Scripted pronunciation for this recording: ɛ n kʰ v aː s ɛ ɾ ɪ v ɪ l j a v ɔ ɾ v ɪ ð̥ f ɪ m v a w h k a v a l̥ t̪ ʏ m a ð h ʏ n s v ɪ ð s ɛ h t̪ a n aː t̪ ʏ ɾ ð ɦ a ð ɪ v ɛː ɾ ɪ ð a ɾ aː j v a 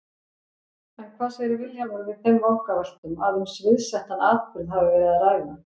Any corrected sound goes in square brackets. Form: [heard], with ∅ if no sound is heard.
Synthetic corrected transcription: ɛ n kʰ v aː s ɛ ɾ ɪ v ɪ l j a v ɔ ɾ v ɪ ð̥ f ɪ m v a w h k a v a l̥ t̪ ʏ m a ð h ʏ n s v ɪ ð s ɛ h t̪ a n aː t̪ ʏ ɾ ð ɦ a [v] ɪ v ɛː ɾ ɪ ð a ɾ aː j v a

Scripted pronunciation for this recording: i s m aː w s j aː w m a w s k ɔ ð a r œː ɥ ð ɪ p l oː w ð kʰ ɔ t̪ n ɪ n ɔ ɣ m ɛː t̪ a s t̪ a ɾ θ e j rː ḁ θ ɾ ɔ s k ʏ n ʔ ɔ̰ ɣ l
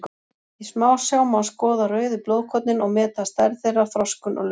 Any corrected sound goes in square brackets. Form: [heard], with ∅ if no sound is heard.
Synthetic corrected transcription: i s m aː w s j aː w m a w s k [ɔː] ð a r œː ɥ ð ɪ p l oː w ð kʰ ɔ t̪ n ɪ n ɔ ɣ m ɛː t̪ a s t̪ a ɾ θ e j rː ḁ θ ɾ ɔ s k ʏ n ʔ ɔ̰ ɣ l

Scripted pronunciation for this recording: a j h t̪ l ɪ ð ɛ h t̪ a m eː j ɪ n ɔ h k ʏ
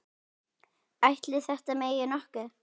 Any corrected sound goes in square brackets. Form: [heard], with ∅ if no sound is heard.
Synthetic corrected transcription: a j h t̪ l ɪ [θ] ɛ h t̪ a m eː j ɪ n ɔ h k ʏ

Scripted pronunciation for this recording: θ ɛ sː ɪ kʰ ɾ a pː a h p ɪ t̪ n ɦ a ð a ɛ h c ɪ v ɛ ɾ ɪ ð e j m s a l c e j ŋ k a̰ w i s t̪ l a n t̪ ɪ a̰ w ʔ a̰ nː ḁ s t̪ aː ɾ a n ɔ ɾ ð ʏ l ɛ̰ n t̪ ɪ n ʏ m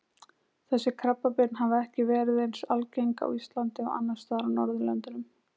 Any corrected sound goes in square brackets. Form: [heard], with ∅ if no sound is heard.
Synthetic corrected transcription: θ ɛ sː ɪ kʰ ɾ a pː a [∅] p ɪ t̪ n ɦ a [v] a ɛ h c ɪ v [ɛː] ɾ ɪ ð e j [n] s a l c e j ŋ k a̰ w i s t̪ l a n t̪ ɪ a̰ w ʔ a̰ nː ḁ s t̪ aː ɾ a n ɔ ɾ ð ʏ l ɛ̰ n t̪ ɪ n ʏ m

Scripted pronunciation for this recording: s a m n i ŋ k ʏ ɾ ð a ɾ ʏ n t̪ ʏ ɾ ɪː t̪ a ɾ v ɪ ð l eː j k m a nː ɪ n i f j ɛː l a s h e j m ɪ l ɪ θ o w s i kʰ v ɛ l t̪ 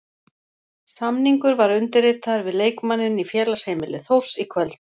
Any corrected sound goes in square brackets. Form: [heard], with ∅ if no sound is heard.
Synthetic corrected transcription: s a m n i ŋ k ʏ ɾ [v] a ɾ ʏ n t̪ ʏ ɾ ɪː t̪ a ɾ v ɪ ð l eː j k m a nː ɪ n i f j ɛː l a s h e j m ɪ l ɪ θ o w s i kʰ v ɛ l t̪

